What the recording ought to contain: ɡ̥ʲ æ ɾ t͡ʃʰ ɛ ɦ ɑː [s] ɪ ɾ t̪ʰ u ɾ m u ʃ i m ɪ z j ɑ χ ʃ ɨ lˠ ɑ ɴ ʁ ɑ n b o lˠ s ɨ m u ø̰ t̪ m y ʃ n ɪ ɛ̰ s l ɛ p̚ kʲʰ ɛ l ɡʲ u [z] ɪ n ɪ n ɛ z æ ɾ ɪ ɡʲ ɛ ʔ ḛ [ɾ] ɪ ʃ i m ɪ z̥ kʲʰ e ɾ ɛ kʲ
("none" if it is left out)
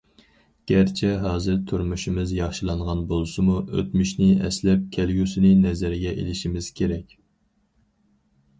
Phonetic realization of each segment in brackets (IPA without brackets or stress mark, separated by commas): z, s, l